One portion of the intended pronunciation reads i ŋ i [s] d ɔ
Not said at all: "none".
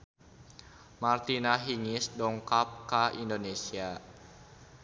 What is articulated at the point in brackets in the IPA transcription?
s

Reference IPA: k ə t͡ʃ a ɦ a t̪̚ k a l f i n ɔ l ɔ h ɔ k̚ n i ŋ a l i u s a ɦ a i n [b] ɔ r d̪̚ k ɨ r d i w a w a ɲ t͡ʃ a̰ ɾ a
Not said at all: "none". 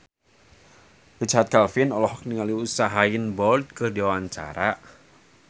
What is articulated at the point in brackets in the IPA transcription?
b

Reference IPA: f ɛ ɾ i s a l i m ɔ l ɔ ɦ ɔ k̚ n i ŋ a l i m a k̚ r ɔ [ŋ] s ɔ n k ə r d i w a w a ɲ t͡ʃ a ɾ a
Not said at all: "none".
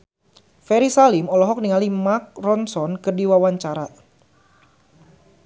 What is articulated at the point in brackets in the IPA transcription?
n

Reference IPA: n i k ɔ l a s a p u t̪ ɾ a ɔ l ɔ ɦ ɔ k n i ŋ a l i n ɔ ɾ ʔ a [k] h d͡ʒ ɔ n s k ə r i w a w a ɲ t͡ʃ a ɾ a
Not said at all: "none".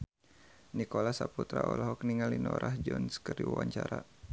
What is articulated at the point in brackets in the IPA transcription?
none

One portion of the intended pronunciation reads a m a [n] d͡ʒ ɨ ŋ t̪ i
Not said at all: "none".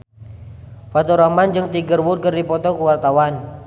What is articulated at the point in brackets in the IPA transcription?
n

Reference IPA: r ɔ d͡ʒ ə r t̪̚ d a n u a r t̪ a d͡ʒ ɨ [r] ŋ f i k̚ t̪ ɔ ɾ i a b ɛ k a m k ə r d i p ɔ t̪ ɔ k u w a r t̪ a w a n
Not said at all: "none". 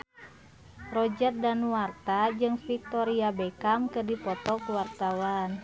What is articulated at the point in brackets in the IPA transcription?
none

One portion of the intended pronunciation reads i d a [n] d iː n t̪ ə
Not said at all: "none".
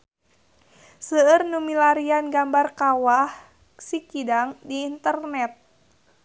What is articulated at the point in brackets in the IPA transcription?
ŋ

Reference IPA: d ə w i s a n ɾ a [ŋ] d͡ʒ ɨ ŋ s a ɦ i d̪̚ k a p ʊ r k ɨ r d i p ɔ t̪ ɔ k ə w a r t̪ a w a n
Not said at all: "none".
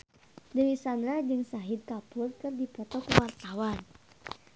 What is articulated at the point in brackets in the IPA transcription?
none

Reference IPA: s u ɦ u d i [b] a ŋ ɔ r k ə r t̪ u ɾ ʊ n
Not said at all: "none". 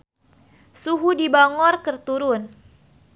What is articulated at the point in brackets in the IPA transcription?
b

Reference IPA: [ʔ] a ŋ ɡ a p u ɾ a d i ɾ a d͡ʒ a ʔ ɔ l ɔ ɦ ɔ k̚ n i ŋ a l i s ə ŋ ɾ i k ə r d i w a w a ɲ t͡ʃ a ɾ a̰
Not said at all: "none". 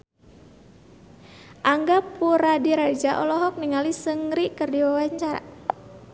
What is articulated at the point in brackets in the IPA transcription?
ʔ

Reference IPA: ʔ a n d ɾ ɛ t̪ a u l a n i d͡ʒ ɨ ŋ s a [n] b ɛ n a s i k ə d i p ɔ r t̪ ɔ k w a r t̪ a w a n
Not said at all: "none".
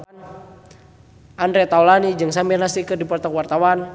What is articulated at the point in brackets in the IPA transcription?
m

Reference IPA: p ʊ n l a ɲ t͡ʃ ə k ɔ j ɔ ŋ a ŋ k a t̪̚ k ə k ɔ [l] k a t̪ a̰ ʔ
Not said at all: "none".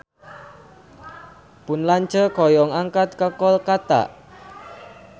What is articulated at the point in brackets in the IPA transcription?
l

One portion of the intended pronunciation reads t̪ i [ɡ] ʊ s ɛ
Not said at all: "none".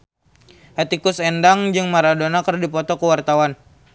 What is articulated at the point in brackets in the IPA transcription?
k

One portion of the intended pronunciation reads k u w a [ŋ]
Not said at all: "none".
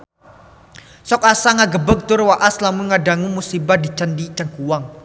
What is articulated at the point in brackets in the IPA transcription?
ŋ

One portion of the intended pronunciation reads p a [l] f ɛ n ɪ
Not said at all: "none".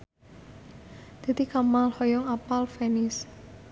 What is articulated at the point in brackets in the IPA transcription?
l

